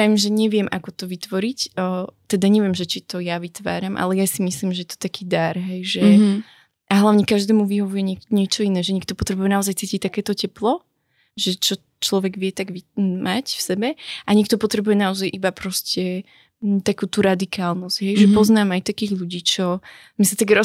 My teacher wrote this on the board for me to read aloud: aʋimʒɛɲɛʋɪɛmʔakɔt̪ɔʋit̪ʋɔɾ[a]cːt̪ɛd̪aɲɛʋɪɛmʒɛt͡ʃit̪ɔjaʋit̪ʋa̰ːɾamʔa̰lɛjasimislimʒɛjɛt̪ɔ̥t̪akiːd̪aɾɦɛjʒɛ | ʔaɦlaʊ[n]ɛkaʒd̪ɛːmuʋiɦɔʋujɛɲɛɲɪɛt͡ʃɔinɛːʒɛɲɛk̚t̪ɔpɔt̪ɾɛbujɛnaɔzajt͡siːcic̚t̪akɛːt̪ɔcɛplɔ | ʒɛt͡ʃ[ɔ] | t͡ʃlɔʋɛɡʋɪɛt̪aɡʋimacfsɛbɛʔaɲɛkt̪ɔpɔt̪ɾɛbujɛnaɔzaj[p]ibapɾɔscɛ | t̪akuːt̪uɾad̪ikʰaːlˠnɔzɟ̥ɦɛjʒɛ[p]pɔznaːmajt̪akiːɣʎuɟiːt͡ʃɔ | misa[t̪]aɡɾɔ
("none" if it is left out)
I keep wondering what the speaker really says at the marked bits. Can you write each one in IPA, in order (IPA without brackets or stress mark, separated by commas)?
i, ɲ, ɔ, ʔ, p, t̪